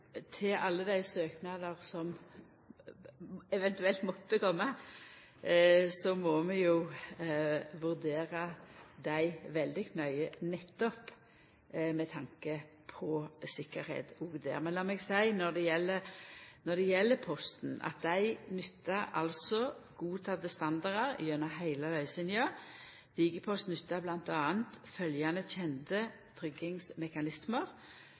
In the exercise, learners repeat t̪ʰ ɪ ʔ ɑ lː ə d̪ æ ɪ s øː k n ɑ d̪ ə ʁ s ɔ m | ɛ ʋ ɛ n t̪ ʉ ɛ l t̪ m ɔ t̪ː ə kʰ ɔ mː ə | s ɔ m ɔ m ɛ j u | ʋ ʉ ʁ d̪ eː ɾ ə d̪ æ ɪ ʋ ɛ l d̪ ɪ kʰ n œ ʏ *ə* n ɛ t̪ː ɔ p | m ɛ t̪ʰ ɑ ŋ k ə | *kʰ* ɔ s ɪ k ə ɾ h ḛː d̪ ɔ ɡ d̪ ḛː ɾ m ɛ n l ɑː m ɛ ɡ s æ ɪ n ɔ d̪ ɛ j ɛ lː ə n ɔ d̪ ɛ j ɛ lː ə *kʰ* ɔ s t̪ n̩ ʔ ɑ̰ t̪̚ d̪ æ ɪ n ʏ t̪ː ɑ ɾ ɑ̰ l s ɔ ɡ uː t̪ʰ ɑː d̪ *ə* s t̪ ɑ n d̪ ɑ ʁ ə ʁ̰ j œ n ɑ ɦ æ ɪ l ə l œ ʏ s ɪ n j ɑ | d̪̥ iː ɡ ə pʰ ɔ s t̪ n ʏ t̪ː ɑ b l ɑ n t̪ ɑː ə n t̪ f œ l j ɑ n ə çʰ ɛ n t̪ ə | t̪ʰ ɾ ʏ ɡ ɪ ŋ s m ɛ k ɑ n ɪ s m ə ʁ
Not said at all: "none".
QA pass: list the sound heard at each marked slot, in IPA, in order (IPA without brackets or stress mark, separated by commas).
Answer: ə, pʰ, pʰ, ə